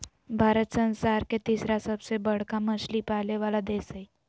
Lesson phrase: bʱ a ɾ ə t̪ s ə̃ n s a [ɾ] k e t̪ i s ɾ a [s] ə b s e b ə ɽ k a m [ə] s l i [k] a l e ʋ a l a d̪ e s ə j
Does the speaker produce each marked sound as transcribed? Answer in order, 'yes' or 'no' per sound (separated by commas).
yes, yes, yes, no